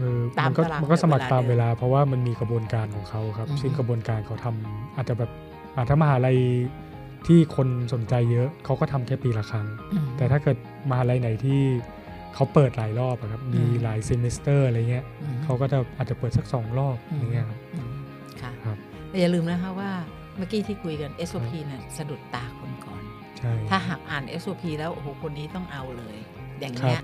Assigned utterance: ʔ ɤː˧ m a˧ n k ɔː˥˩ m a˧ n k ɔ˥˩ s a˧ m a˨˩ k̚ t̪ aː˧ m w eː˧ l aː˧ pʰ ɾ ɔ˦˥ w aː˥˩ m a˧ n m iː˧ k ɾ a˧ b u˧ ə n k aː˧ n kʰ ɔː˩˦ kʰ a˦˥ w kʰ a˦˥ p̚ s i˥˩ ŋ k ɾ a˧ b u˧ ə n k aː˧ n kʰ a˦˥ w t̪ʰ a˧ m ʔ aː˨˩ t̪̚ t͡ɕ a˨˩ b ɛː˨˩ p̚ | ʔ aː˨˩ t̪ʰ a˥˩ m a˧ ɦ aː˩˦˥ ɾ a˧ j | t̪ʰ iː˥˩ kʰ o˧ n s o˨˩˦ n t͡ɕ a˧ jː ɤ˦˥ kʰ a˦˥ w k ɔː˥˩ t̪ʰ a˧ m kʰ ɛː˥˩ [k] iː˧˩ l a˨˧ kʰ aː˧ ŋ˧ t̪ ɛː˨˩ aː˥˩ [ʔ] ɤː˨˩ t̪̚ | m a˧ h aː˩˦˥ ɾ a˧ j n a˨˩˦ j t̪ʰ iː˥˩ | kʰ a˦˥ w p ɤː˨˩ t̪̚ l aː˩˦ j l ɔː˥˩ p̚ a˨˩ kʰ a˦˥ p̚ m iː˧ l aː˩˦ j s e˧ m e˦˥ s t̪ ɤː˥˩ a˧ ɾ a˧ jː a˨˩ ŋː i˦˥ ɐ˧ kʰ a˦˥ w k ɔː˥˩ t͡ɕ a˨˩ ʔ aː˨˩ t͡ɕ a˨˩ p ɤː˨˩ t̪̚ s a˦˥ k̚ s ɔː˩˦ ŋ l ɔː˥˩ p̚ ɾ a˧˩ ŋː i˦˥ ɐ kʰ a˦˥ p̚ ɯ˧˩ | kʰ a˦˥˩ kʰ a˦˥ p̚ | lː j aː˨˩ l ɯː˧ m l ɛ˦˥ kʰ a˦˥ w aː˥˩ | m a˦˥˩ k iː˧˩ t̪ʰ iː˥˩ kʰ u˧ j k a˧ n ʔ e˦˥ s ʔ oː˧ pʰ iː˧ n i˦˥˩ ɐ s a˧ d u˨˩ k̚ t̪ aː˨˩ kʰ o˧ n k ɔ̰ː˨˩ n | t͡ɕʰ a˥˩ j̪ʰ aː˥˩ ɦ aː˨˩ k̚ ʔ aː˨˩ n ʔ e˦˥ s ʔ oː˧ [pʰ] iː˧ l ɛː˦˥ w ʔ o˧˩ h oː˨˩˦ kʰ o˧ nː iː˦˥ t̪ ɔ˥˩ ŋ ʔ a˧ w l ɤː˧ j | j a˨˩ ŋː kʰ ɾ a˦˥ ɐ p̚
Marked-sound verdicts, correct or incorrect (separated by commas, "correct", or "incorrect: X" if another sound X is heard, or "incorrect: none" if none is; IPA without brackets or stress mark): incorrect: p, incorrect: k, correct